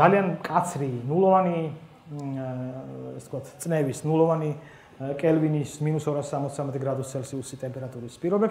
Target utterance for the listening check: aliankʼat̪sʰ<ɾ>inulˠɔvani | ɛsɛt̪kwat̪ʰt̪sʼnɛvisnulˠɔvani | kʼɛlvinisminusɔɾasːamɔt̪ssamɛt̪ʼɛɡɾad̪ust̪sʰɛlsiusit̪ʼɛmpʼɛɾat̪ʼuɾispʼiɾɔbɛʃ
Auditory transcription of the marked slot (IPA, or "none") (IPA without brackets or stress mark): ɾ